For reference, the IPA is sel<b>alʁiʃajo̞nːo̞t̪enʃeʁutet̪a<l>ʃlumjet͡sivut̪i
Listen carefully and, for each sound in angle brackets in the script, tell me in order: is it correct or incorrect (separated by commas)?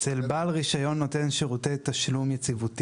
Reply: correct, incorrect